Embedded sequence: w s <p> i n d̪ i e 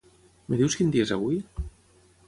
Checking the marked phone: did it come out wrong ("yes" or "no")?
yes